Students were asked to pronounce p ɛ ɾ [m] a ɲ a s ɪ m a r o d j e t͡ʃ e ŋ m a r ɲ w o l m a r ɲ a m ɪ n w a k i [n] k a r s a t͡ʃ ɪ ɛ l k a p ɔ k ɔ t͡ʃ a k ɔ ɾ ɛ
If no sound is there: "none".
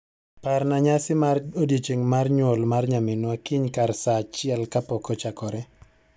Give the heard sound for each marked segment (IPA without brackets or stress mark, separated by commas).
n, ɲ